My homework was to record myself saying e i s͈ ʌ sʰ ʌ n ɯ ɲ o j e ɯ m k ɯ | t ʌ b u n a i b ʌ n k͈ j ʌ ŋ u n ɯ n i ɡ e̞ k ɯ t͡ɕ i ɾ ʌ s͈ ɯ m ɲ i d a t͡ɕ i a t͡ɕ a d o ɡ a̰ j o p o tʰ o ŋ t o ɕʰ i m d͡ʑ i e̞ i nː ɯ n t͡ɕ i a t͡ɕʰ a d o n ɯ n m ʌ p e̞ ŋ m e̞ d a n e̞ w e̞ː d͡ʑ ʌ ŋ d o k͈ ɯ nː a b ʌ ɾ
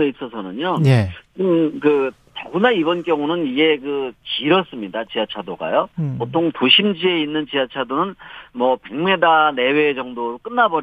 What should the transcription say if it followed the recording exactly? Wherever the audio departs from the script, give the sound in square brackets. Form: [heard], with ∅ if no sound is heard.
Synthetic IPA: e i s͈ ʌ sʰ ʌ n ɯ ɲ o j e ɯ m k ɯ | t ʌ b u n a i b ʌ n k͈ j ʌ ŋ u n ɯ n i ɡ e̞ k ɯ t͡ɕ i ɾ ʌ s͈ ɯ m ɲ i d a t͡ɕ i a [t͡ɕʰ] a d o ɡ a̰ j o p o tʰ o ŋ t o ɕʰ i m d͡ʑ i e̞ i nː ɯ n t͡ɕ i a t͡ɕʰ a d o n ɯ n m ʌ p e̞ ŋ m e̞ d a n e̞ w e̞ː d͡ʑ ʌ ŋ d o k͈ ɯ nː a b ʌ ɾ